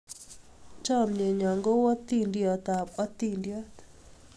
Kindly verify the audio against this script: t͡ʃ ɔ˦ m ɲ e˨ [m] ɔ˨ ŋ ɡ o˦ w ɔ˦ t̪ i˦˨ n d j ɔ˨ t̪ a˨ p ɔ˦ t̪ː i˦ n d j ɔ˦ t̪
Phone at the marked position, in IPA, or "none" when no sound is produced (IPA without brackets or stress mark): ɲ